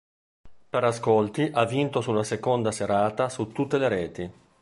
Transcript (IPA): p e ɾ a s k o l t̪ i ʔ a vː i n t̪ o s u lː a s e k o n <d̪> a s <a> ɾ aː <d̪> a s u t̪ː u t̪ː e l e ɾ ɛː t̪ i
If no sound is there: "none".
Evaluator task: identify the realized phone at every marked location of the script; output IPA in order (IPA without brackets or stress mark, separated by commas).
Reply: d̪, e, t̪